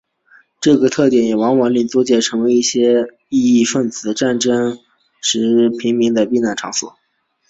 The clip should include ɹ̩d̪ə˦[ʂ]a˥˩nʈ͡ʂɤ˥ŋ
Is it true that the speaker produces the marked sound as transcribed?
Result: no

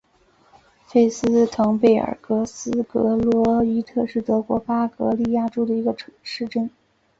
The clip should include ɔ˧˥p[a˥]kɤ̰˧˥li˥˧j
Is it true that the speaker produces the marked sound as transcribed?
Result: yes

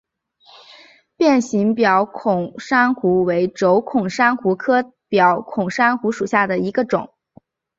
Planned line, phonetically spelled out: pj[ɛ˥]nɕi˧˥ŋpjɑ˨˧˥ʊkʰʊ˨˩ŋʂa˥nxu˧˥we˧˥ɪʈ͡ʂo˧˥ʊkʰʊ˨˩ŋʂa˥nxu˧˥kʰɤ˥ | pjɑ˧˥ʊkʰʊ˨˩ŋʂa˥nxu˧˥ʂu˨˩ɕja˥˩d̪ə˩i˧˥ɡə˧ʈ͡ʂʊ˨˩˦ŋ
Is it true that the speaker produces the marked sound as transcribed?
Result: no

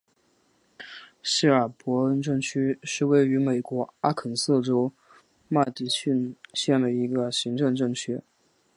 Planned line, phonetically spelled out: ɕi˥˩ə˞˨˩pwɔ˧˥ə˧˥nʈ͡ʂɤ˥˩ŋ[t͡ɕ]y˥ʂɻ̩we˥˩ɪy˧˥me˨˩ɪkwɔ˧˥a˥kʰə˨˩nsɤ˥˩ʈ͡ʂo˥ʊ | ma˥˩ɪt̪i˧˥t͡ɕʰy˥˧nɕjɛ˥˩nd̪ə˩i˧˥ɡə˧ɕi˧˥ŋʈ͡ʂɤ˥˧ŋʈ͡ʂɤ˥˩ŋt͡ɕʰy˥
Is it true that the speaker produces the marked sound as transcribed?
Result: no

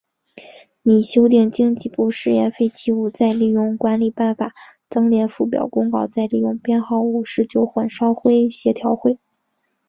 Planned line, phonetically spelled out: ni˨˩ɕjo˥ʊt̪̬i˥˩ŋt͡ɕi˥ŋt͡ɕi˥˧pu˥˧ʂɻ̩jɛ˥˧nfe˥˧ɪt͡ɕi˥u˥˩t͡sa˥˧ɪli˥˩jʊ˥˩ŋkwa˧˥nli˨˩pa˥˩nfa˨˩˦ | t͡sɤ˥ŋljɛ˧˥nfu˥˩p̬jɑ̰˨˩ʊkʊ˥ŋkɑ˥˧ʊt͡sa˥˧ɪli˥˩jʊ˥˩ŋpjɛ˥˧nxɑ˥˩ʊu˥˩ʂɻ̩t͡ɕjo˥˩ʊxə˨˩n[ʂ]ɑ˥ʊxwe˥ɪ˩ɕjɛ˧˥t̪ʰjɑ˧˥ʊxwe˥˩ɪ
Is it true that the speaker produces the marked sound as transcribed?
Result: yes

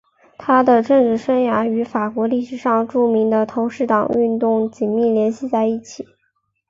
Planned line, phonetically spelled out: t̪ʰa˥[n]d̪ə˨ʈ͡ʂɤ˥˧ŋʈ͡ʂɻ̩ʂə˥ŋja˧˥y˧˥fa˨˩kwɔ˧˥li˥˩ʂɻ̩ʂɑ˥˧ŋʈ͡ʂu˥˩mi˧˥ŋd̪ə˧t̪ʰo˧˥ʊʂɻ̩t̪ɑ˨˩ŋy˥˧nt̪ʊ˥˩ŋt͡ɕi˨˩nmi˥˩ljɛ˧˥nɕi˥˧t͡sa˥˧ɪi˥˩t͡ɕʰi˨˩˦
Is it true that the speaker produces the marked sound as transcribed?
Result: no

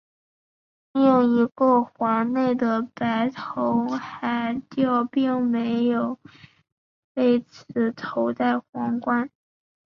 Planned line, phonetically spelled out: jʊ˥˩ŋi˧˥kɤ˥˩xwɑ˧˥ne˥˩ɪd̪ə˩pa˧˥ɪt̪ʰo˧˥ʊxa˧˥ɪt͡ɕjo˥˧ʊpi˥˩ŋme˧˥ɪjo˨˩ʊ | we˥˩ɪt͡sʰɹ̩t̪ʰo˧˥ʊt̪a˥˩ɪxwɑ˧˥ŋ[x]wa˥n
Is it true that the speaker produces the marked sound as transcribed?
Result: no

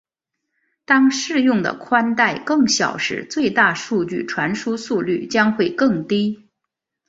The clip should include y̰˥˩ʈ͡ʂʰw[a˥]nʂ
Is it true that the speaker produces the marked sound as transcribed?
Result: no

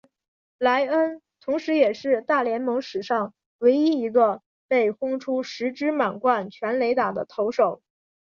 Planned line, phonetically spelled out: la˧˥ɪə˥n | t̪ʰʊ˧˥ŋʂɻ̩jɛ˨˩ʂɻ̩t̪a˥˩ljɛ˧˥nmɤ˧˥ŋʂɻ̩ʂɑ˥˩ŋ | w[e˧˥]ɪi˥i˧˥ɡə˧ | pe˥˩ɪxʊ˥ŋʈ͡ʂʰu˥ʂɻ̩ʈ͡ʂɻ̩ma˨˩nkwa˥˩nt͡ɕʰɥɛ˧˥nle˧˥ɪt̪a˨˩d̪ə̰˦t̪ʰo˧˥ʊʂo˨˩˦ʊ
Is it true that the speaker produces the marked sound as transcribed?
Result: yes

